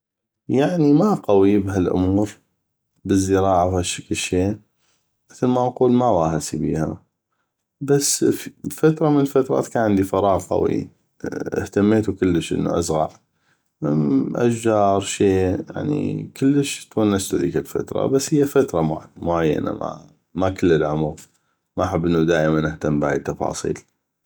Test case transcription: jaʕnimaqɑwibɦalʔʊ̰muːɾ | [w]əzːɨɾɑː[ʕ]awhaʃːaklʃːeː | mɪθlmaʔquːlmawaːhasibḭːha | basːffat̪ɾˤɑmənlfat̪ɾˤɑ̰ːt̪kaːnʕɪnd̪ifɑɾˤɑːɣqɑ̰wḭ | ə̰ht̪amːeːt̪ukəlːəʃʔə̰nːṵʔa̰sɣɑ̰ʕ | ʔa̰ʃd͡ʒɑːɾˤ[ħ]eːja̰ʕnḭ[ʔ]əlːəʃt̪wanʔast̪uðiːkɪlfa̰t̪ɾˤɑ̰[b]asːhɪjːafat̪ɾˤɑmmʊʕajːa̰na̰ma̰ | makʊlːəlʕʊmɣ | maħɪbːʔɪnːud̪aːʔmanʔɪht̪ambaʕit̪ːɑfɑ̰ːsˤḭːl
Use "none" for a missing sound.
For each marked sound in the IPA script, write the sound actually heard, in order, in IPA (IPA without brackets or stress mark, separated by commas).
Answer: b, ʕ, ʃ, k, b